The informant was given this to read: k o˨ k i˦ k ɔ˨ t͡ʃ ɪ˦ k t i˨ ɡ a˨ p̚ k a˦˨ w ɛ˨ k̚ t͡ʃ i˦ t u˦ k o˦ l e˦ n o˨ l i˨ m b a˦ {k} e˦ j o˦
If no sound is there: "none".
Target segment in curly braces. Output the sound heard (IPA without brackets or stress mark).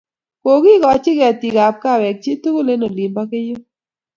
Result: k